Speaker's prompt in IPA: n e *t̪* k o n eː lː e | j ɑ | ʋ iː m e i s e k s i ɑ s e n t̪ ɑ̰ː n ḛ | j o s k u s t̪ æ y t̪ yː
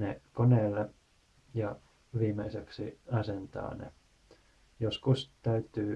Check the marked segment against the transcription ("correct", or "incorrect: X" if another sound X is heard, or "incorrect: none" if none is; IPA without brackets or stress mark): incorrect: none